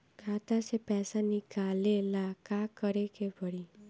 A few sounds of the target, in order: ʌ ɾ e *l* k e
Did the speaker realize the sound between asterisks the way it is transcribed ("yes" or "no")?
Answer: no